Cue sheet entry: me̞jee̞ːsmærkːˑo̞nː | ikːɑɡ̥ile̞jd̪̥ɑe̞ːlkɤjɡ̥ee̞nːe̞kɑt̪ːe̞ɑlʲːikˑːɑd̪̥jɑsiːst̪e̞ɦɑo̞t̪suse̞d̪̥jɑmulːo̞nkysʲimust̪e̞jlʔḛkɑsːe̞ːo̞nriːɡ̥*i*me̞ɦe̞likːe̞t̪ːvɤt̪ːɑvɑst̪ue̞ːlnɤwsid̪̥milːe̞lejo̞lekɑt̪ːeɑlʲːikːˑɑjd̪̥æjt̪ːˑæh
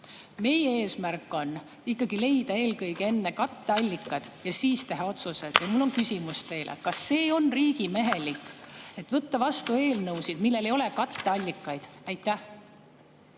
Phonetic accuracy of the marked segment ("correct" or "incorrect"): correct